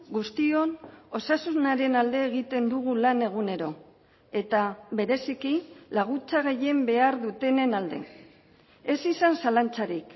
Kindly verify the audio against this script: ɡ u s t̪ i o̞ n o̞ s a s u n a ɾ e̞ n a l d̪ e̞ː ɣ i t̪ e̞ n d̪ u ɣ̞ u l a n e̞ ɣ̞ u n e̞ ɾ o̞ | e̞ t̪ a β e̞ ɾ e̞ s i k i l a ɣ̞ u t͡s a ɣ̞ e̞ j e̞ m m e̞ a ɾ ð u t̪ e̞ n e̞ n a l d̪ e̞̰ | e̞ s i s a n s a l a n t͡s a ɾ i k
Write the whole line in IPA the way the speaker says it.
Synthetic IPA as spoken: ɡ u s t̪ i o̞ n o̞ s a s u n a ɾ e̞ n a l d̪ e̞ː ɣ i t̪ e̞ n d̪ u ɣ̞ u l a n e̞ ɣ̞ u n e̞ ɾ o̞ | e̞ t̪ a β e̞ ɾ e̞ s i k i l a ɣ̞ u t͡s a ɣ̞ e̞ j e̞ m b e̞ a ɾ ð u t̪ e̞ n e̞ n a l d̪ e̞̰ | e̞ s i s a n s a l a n t͡s a ɾ i k